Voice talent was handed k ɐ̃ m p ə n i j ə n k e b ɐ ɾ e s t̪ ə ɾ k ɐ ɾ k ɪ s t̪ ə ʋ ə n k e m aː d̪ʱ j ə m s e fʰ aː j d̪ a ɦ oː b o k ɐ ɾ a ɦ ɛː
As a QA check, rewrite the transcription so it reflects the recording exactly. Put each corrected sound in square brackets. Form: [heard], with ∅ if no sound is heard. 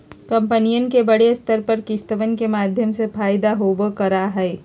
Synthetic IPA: k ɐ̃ m p ə n i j ə n k e b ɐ [ɽ] e s t̪ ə ɾ [p] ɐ ɾ k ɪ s t̪ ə ʋ ə n k e m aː d̪ʱ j ə m s e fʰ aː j d̪ a ɦ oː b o k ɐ ɾ a ɦ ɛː